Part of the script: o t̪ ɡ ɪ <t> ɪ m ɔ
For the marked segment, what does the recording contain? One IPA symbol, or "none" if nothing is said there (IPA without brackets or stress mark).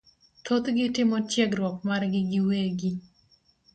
t